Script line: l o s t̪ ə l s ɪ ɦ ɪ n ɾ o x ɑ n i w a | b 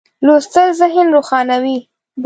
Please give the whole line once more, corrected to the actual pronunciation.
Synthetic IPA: l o s t̪ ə l z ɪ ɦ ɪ n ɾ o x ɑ n a w i | b